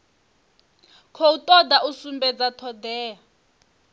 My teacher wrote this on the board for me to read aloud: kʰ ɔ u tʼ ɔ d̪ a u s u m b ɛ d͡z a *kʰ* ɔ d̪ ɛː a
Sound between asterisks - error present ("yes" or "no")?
yes